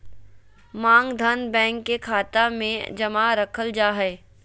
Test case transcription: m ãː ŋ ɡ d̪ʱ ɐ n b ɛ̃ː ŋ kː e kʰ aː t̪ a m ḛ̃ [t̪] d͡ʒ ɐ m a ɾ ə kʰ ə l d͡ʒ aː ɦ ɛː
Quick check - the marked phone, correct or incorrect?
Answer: incorrect: none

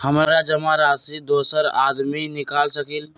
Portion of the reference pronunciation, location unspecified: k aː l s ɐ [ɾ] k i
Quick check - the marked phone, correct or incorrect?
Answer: incorrect: none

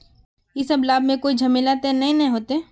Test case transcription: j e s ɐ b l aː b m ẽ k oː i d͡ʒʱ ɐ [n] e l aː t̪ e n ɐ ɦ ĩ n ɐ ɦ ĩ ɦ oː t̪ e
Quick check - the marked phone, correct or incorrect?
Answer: incorrect: m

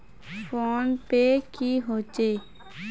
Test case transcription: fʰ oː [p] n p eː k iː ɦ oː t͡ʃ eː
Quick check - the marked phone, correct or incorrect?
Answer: incorrect: none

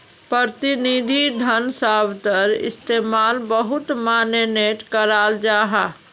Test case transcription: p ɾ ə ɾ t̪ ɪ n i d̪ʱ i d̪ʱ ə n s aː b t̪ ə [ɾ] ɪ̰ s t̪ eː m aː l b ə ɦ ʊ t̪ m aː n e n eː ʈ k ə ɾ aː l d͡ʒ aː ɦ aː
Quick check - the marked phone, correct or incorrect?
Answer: correct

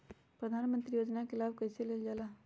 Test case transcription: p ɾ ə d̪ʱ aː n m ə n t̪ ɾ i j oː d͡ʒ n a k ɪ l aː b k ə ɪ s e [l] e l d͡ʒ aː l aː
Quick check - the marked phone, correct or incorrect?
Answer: correct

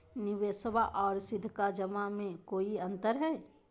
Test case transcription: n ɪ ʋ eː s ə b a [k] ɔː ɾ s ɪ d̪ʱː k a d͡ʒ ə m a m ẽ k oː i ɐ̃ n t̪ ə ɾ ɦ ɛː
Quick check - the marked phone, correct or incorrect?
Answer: incorrect: ʔ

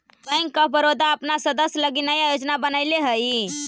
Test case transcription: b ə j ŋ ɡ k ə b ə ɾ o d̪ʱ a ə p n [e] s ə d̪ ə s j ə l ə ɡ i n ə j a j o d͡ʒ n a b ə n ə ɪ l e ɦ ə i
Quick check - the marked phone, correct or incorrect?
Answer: incorrect: a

